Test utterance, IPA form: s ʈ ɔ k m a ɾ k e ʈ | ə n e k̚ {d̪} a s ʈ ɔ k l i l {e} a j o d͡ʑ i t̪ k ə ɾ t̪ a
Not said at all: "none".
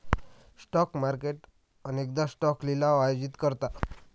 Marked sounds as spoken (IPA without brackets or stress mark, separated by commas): d̪, a